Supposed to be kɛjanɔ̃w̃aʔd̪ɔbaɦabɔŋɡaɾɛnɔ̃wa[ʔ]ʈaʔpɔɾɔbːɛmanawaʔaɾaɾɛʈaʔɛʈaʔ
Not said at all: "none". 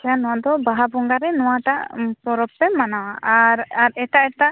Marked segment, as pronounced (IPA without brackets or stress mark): none